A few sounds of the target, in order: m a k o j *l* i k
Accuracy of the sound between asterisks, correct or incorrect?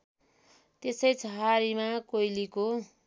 correct